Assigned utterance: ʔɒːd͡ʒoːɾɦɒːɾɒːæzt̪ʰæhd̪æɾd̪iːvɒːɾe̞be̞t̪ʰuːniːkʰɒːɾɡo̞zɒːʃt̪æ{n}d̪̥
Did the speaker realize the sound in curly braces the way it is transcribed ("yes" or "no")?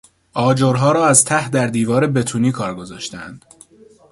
yes